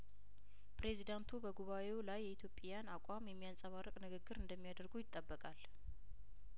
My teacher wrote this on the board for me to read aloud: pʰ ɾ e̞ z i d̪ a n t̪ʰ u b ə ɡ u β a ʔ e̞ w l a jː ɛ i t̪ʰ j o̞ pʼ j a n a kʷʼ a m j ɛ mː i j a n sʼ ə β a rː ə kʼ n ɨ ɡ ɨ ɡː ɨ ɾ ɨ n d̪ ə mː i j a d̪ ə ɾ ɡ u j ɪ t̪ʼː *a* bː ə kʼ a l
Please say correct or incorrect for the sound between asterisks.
incorrect